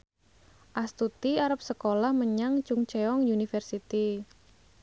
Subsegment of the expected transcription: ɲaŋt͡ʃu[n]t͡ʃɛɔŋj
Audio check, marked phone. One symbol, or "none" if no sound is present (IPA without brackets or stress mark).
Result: ŋ